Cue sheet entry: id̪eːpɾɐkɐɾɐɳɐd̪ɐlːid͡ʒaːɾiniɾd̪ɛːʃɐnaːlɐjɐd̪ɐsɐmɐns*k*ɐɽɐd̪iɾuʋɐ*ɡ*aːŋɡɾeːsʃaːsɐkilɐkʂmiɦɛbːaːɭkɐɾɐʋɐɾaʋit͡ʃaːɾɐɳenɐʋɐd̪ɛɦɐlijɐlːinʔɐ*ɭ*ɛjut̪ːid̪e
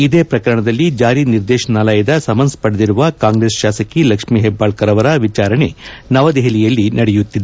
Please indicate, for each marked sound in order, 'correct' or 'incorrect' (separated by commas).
incorrect, incorrect, incorrect